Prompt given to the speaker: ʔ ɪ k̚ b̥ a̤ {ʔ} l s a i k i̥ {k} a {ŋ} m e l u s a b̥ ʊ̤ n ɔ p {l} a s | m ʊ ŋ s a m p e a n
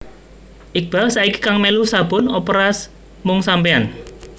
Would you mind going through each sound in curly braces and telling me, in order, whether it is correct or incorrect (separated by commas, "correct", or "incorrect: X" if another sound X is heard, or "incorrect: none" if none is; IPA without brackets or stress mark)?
incorrect: none, correct, correct, incorrect: ɾ